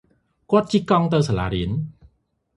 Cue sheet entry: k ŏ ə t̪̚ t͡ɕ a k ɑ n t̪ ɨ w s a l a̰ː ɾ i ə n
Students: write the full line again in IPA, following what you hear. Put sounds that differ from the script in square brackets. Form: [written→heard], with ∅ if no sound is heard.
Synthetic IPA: k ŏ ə t̪̚ t͡ɕ [a→i] k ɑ [n→ŋ] t̪ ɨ w s a l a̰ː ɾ i ə n

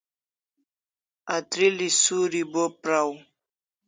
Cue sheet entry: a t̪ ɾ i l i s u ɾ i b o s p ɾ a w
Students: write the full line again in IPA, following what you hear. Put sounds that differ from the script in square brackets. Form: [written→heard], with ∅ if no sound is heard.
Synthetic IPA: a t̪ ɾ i l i s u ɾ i b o [s→∅] p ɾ a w

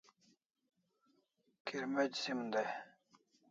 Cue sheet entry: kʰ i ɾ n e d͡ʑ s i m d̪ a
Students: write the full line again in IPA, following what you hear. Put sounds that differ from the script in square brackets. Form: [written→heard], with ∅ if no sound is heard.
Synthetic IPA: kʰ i ɾ [n→m] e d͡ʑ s i m d̪ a

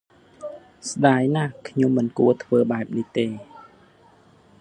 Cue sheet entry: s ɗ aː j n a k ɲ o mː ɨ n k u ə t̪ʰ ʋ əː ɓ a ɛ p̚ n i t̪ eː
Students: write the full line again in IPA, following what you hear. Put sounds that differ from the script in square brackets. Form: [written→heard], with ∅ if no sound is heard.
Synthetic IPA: s ɗ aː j n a [k→kʰ] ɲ o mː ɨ n k u ə t̪ʰ ʋ əː ɓ a ɛ p̚ n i t̪ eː

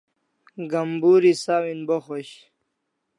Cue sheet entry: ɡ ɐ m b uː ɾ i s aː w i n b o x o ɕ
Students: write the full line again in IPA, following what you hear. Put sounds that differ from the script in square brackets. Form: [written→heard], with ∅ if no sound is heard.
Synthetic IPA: ɡ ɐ m b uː ɾ i s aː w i n b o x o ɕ

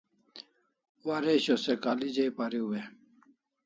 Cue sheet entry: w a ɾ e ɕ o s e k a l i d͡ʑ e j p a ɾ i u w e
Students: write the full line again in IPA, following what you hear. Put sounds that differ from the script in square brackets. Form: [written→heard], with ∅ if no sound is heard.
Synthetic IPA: w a ɾ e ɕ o s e k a l i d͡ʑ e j p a ɾ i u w e

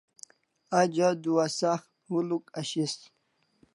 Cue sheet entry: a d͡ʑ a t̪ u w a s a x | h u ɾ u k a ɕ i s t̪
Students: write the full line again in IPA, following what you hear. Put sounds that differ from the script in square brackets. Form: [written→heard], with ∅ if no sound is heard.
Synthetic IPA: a d͡ʑ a [t̪→d̪] u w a s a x | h u [ɾ→l] u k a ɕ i s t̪

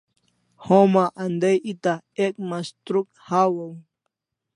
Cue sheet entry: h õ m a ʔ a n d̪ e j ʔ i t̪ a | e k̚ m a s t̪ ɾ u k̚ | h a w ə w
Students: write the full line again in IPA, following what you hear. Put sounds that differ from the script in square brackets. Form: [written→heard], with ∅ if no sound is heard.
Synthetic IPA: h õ m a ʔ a n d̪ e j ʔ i t̪ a | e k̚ m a s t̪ ɾ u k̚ | h a w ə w

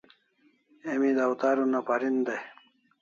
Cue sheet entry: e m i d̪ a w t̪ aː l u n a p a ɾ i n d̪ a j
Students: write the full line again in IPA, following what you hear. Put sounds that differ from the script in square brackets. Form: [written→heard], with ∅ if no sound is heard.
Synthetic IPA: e m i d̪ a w t̪ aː [l→ɾ] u n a p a ɾ i n d̪ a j

